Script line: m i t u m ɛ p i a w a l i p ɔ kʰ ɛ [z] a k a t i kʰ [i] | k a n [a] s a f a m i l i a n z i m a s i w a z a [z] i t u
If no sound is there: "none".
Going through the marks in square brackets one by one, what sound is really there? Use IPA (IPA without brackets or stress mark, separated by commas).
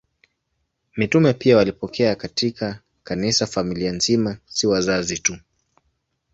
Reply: none, a, i, z